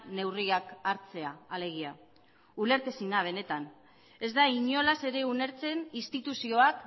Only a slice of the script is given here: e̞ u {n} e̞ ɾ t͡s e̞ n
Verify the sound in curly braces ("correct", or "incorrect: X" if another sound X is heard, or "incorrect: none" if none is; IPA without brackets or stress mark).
correct